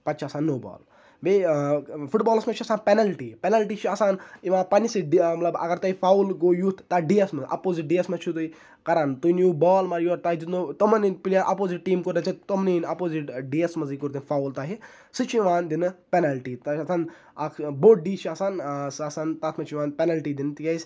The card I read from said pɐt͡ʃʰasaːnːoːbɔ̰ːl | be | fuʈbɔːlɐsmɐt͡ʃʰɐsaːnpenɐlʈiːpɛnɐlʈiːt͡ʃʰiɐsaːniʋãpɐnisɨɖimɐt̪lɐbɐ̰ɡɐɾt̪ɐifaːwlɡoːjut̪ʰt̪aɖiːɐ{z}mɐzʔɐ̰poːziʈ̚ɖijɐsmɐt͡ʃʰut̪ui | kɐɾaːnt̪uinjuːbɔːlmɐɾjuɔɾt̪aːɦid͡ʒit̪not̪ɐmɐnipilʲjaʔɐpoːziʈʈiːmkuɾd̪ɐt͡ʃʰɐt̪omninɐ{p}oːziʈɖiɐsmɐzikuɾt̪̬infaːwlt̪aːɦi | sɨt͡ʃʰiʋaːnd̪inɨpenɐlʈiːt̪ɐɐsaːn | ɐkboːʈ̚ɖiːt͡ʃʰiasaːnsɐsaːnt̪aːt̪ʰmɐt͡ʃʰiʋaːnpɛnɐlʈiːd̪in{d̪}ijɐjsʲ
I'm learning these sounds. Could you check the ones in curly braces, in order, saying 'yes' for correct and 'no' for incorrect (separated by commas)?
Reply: no, yes, no